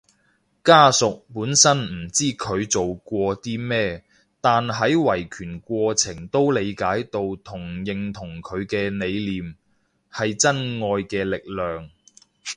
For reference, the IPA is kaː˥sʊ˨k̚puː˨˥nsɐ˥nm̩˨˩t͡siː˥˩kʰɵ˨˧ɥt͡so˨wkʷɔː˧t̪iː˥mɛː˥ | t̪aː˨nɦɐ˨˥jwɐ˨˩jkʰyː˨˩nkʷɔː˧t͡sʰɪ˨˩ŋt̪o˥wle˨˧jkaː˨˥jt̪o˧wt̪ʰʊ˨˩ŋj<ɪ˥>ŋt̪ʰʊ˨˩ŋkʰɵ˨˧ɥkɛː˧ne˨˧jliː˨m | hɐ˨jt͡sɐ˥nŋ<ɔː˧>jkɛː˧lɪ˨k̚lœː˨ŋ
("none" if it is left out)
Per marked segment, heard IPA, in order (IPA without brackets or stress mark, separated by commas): ɪ˨, ɔː˧